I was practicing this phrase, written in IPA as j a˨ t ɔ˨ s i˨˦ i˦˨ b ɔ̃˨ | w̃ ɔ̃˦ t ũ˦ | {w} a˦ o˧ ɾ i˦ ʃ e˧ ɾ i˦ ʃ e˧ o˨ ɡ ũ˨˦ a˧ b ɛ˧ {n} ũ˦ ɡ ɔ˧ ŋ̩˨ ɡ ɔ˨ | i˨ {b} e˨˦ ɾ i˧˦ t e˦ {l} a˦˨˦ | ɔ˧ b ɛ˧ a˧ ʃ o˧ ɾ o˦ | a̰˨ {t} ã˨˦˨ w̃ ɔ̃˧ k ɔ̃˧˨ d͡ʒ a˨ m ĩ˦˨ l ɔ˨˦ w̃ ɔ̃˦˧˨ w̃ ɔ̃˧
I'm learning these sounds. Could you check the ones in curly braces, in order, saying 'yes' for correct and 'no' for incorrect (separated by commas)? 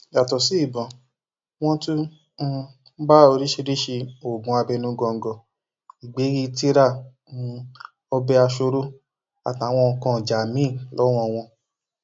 no, yes, no, no, yes